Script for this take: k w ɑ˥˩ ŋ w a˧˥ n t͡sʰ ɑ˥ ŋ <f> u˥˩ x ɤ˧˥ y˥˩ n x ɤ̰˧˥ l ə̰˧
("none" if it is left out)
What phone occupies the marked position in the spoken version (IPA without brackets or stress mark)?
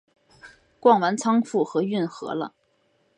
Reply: f